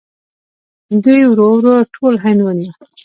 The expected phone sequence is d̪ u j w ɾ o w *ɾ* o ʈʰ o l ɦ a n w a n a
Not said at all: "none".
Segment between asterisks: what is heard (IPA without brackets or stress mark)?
ɾ